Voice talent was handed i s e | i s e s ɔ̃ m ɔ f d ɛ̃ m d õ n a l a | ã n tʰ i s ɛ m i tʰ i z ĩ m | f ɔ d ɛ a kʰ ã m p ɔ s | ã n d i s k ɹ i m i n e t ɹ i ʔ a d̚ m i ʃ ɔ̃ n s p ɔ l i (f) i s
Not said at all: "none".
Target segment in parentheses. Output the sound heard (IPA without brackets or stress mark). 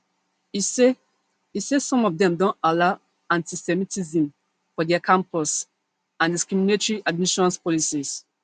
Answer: s